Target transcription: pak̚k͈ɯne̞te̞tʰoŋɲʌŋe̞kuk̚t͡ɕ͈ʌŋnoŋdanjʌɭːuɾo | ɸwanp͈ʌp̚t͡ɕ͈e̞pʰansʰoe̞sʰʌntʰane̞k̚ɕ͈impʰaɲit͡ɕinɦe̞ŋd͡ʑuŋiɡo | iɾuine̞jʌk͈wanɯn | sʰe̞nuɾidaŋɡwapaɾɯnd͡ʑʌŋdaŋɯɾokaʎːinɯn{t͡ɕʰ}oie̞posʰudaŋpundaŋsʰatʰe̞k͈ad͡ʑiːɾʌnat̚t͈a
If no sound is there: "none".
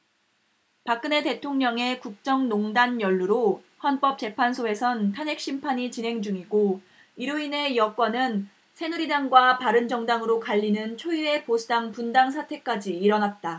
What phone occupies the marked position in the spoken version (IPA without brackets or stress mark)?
t͡ɕʰ